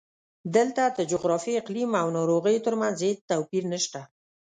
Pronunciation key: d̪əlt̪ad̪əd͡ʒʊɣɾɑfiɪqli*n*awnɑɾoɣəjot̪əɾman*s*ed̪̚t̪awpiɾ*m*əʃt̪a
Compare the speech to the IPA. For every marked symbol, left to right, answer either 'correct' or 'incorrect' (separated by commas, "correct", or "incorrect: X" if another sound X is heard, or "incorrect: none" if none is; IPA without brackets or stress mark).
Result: incorrect: m, incorrect: z, incorrect: n